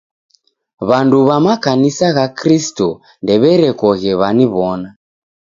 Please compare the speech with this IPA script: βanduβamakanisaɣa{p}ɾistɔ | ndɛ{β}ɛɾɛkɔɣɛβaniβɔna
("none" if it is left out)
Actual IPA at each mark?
k, β

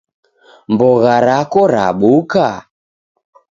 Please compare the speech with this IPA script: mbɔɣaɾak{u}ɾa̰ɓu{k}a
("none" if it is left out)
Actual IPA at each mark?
ɔ, k

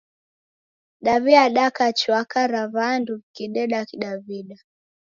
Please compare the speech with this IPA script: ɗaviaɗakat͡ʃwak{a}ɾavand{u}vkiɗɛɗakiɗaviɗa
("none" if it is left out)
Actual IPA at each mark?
a, u

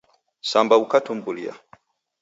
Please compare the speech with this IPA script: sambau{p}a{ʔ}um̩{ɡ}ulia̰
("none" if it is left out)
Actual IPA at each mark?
k, t, b

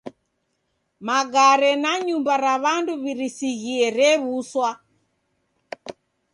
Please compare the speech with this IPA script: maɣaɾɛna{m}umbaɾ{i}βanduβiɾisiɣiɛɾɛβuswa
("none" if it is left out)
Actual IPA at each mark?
ɲ, a

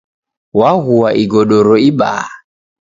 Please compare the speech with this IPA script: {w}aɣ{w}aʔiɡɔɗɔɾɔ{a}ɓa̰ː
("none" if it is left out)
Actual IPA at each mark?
w, u, i

